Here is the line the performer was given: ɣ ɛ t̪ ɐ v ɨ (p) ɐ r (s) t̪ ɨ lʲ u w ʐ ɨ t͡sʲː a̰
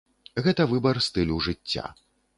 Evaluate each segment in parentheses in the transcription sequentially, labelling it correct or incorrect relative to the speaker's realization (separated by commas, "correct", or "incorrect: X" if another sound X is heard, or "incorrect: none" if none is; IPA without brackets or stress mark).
incorrect: b, correct